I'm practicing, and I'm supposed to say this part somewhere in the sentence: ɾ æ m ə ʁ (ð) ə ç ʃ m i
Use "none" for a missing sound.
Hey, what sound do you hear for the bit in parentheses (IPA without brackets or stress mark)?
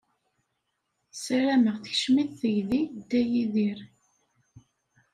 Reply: θ